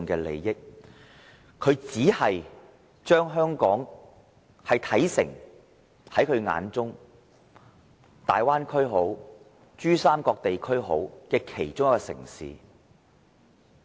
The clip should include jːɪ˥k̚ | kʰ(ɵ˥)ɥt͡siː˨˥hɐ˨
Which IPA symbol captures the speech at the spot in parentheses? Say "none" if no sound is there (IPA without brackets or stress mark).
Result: ɵ˨˧